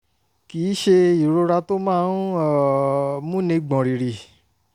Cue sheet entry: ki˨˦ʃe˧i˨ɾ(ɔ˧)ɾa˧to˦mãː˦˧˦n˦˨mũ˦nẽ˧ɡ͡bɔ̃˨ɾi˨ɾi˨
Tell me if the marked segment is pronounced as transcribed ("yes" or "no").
no